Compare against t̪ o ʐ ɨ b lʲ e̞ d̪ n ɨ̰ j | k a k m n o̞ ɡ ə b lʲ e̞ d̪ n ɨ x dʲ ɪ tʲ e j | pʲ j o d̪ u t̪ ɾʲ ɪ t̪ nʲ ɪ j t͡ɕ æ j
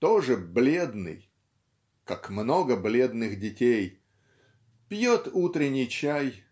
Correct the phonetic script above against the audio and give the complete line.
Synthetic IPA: t̪ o ʐ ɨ b lʲ e̞ d̪ n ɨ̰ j | k a k m n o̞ ɡ ə b lʲ e̞ d̪ n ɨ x dʲ ɪ tʲ e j | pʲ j o t̪ u t̪ ɾʲ ɪ nʲ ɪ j t͡ɕ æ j